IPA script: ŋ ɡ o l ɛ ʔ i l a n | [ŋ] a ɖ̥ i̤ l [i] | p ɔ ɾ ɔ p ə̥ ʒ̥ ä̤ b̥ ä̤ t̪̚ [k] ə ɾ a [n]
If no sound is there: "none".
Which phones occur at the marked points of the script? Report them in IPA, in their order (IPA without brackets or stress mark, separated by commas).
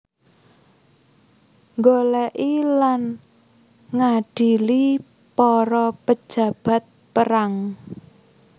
ŋ, i, p, ŋ